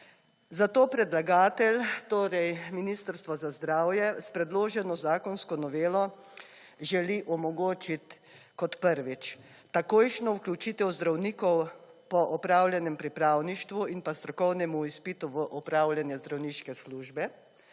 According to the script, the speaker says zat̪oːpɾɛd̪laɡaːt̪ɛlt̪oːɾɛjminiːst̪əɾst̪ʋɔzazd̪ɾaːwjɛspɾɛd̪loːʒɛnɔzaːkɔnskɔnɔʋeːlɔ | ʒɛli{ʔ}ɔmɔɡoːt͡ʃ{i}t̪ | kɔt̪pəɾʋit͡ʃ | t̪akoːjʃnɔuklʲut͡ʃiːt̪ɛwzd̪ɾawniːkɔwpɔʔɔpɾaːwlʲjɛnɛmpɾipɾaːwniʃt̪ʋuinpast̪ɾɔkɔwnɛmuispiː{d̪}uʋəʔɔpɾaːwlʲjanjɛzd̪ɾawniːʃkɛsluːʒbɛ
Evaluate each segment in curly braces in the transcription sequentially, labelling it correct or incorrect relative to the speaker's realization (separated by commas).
correct, correct, incorrect